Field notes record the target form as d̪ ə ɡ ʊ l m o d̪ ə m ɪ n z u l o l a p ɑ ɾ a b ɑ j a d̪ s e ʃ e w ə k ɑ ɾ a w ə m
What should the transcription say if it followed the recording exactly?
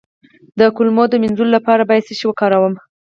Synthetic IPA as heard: d̪ ə k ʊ l m o d̪ ə m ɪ n z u l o l a p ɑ ɾ a b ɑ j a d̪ s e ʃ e w ə k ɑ ɾ a w ə m

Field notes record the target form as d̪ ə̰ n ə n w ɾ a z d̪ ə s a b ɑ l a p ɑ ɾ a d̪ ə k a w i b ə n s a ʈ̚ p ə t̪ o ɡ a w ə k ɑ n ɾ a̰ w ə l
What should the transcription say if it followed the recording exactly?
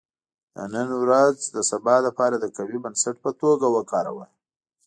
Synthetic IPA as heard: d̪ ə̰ n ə n w ɾ a z d̪ ə s a b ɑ l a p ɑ ɾ a d̪ ə k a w i b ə n s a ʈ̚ p ə t̪ o ɡ a w ə k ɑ ɾ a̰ w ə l

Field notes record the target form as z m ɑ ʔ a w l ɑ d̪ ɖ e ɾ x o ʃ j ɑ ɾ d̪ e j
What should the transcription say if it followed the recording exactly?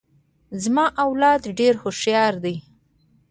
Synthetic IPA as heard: z m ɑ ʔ a w l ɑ d̪ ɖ e ɾ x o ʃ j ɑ ɾ d̪ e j

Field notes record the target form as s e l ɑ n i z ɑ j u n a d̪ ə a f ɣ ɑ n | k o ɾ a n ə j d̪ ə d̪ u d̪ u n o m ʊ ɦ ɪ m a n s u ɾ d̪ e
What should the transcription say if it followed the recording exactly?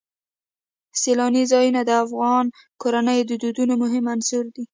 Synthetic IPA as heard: s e l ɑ n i z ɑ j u n a d̪ ə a f ɣ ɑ n | k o ɾ a n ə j d̪ ə d̪ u d̪ u n o m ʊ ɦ ɪ m a n s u ɾ d̪ i

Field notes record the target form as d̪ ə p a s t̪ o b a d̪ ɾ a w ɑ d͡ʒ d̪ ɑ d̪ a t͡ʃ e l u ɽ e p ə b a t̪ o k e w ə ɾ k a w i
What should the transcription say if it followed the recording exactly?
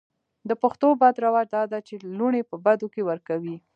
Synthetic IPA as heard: d̪ ə p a x t̪ o b a d̪ ɾ a w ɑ d͡ʒ d̪ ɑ d̪ a t͡ʃ e l u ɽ e p ə b a d̪ o k e w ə ɾ k a w i

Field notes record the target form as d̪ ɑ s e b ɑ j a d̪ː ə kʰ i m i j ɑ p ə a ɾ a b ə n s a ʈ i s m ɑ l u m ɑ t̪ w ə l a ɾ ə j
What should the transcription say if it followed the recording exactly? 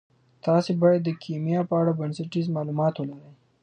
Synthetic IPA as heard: t̪ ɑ s e b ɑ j a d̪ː ə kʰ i m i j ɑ p ə a ɽ a b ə n s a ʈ i z m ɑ l u m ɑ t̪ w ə l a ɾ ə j

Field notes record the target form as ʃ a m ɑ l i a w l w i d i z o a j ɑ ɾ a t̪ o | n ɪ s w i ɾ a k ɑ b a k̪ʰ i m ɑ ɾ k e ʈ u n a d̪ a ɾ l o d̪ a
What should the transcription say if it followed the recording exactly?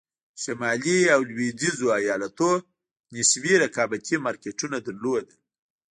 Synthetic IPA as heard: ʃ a m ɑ l i a w l w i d i z o a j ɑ l a t̪ o | n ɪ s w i ɾ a k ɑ b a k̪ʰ i m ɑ ɾ k e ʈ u n a d̪ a ɾ l o d̪ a

